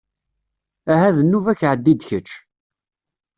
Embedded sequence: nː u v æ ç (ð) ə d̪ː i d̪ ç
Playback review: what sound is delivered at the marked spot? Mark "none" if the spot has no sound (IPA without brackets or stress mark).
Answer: ʕ